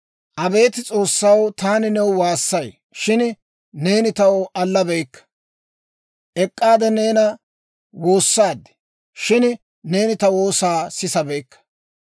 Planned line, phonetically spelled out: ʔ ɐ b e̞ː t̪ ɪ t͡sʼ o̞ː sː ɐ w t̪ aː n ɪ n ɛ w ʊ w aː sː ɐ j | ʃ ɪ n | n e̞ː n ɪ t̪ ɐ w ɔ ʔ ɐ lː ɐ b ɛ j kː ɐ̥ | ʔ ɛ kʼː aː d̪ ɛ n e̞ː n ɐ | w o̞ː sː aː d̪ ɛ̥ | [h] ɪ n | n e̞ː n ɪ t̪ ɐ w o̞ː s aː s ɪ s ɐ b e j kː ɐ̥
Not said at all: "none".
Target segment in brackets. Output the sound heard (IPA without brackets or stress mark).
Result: ʃ